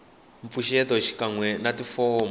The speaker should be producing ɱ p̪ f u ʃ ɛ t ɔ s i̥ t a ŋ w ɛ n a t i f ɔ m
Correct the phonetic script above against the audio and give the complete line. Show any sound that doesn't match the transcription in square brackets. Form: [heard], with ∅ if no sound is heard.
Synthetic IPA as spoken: ɱ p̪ f u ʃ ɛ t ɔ [ʃ] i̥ [k] a ŋ w ɛ n a t i f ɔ m